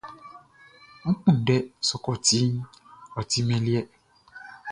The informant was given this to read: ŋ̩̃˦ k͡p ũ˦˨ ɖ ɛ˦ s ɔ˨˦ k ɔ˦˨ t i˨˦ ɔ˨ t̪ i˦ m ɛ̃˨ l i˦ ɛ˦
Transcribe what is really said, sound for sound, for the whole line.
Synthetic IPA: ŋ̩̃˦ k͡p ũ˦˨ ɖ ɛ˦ s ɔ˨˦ k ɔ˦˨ t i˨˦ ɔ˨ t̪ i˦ m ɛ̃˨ l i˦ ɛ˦